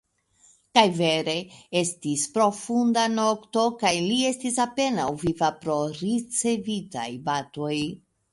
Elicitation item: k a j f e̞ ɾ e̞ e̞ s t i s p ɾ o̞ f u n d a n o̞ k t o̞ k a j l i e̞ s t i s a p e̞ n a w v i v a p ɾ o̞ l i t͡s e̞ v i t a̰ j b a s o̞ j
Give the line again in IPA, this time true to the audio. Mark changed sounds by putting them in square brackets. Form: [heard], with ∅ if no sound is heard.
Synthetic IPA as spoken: k a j [v] e̞ ɾ e̞ e̞ s t i s p ɾ o̞ f u n d a n o̞ k t o̞ k a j l i e̞ s t i s a p e̞ n a w v i v a p ɾ o̞ [ɾ] i t͡s e̞ v i t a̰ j b a [t] o̞ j